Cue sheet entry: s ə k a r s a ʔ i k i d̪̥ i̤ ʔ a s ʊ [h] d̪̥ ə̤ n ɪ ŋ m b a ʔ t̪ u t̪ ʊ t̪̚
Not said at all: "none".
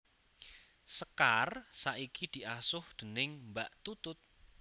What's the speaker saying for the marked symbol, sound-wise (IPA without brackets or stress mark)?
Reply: h